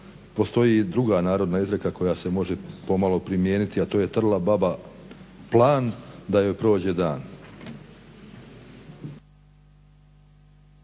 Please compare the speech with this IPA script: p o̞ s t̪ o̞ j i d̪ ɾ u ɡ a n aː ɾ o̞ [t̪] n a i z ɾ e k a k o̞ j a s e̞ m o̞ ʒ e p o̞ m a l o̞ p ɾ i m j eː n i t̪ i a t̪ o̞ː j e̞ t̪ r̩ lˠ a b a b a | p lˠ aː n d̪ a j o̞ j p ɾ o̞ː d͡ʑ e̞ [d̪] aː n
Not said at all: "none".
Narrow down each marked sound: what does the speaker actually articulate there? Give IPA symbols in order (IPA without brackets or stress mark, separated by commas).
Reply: d̪, d̪